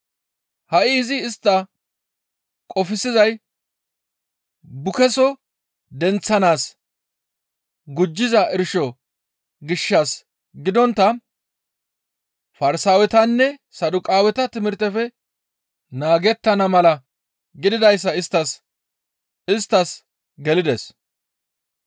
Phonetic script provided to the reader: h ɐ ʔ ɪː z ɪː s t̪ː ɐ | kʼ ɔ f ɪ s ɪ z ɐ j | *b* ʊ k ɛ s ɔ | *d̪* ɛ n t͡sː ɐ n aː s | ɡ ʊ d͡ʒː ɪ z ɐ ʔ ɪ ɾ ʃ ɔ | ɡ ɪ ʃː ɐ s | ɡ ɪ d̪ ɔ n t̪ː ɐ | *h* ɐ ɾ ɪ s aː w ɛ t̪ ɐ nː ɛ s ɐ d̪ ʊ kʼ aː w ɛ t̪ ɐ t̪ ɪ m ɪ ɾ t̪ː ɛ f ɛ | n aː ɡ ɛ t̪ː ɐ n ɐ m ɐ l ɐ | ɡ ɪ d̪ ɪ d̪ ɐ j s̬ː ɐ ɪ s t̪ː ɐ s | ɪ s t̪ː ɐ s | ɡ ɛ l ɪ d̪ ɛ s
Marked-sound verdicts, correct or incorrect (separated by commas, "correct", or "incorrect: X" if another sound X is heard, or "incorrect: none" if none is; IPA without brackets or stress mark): correct, correct, incorrect: f